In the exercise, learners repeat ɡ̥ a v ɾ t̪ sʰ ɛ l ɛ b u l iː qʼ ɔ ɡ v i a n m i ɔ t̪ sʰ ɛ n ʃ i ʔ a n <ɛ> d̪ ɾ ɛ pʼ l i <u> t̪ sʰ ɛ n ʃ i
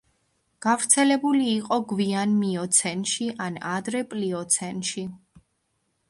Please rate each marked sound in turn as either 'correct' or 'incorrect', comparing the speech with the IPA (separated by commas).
incorrect, incorrect